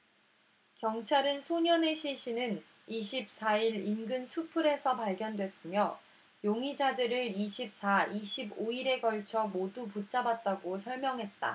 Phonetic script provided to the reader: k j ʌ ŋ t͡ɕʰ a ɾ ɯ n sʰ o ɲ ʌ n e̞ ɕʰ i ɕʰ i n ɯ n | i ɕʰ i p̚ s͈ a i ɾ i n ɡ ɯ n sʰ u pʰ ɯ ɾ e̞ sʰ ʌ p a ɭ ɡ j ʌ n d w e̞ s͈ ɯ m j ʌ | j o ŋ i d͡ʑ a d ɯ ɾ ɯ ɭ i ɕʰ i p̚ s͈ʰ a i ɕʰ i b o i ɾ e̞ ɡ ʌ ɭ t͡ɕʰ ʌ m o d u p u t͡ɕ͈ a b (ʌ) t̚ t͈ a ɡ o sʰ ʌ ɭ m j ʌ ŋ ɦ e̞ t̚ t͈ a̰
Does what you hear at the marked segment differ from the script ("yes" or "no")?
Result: yes